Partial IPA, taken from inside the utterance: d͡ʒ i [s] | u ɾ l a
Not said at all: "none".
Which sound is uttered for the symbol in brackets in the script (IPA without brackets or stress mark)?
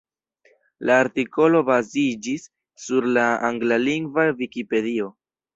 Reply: sː